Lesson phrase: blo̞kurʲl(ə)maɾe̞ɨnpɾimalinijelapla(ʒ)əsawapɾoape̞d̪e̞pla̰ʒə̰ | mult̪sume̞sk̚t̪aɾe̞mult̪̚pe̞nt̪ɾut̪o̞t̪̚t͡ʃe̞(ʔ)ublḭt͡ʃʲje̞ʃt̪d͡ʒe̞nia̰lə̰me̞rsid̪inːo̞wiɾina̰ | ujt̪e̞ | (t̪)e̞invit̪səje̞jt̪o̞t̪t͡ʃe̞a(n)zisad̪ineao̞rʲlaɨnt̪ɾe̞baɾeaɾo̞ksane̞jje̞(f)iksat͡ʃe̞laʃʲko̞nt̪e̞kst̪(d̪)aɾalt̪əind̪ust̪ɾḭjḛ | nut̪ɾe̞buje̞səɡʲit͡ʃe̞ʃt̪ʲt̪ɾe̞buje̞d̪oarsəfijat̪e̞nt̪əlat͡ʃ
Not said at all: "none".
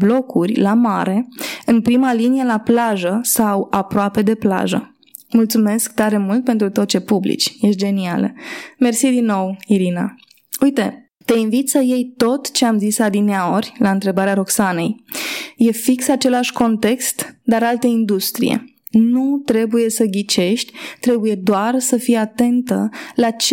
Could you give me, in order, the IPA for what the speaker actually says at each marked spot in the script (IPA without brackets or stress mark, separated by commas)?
a, ʒ, p, t̪, m, f, d̪